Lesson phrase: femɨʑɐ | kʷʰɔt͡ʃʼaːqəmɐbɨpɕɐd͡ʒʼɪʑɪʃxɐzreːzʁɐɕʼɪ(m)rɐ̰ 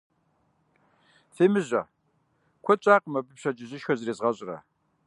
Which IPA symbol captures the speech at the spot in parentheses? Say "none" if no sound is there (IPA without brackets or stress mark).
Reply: none